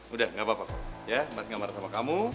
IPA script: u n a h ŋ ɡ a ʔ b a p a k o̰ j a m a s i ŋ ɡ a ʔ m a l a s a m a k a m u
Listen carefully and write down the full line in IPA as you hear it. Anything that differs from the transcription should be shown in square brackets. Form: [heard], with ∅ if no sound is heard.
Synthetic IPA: u [d] a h ŋ ɡ a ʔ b a p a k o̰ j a m a s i ŋ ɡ a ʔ m a [ɾ] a s a m a k a m u